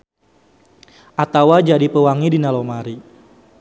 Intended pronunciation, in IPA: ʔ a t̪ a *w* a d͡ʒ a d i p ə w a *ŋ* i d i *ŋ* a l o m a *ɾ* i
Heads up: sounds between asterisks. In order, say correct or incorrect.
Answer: correct, correct, incorrect: n, correct

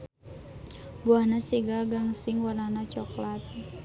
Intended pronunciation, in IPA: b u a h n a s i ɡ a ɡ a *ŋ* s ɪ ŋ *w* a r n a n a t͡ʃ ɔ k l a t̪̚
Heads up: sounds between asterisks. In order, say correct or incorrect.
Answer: correct, correct

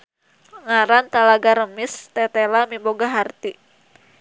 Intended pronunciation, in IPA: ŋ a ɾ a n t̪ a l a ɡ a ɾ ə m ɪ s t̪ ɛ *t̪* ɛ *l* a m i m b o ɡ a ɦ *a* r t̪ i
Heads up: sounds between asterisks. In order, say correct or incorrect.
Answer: correct, correct, correct

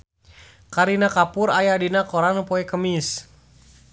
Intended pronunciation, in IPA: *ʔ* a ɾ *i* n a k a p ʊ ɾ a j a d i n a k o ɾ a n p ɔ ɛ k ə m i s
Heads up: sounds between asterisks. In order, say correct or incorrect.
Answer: incorrect: k, correct

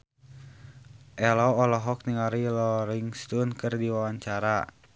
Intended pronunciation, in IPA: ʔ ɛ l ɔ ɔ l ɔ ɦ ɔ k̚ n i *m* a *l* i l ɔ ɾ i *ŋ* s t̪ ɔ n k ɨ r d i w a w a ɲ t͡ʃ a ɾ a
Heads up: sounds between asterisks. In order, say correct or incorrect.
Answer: incorrect: ŋ, incorrect: ɾ, correct

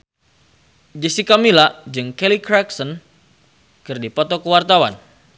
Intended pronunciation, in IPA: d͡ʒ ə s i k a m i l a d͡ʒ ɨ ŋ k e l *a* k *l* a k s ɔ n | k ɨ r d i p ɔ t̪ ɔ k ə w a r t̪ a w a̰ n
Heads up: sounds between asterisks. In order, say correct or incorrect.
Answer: incorrect: i, incorrect: ɾ

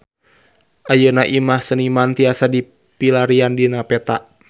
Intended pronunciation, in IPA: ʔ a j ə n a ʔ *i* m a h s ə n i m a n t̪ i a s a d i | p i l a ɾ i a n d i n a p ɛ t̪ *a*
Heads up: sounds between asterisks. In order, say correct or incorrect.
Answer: correct, correct

